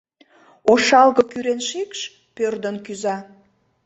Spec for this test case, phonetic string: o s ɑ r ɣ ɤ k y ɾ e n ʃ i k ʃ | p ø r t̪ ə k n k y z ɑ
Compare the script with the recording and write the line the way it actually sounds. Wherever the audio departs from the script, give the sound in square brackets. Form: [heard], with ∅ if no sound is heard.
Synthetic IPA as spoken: o [ʃ] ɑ [l] ɣ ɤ k y ɾ e n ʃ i k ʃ | p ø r [d̪] ə [∅] n k y z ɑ